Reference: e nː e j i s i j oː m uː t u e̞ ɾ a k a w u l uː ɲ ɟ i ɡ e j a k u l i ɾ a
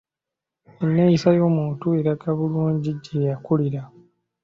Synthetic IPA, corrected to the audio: e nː e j i s a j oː m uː t u e̞ ɾ a k a β u l uː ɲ ɟ i ɟ e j a k u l i ɾ a